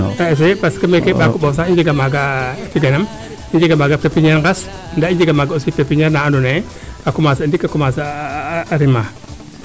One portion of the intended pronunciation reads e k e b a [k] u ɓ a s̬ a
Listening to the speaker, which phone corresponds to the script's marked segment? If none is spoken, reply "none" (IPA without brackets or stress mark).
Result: k